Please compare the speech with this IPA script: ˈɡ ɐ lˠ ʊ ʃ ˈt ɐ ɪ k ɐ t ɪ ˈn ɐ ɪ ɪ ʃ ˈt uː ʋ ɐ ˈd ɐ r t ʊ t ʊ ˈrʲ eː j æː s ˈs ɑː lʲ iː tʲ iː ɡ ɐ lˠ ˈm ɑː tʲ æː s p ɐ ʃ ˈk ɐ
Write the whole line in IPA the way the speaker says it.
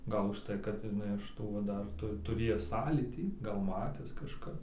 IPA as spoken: ˈɡ ɐ lˠ ʊ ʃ ˈt ɐ ɪ k ɐ t ɪ ˈn ɐ ɪ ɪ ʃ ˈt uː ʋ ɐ ˈd ɐ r t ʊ t ʊ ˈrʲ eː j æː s ˈs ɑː lʲ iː tʲ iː ɡ ɐ lˠ ˈm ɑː tʲ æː s k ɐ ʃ ˈk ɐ